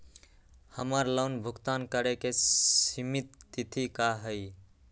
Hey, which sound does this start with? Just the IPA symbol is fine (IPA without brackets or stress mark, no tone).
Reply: h